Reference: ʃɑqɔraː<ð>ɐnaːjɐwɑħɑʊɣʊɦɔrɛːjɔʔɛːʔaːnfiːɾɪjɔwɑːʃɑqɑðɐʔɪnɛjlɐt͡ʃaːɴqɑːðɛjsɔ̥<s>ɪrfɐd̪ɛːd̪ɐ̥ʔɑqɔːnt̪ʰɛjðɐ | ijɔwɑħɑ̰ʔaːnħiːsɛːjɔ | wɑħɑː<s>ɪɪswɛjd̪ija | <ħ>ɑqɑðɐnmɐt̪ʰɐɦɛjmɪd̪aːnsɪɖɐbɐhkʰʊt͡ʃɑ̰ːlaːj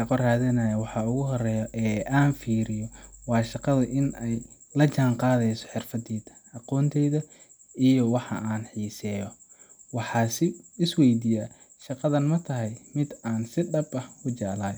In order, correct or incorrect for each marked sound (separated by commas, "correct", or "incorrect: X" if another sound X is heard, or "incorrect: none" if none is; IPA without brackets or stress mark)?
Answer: correct, incorrect: ħ, correct, incorrect: ʃ